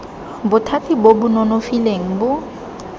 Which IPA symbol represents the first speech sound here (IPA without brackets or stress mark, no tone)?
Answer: b